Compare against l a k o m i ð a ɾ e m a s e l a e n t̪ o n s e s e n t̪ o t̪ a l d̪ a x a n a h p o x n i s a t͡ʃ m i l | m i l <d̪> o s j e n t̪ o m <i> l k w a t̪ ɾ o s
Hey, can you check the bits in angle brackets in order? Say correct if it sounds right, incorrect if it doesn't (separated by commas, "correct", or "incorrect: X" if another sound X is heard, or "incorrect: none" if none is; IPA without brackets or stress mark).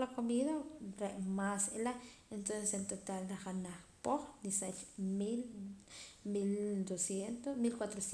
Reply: correct, correct